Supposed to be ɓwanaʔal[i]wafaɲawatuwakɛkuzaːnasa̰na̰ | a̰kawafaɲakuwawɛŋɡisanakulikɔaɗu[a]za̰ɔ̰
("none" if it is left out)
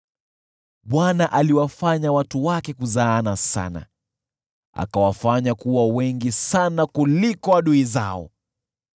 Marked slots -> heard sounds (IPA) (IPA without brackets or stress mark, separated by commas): i, i